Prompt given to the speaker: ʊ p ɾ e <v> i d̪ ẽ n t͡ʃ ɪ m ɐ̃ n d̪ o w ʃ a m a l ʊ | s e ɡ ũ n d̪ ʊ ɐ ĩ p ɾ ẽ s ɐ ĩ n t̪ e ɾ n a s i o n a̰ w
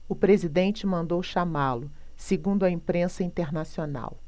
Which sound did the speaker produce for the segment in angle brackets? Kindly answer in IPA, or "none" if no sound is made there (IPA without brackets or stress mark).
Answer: z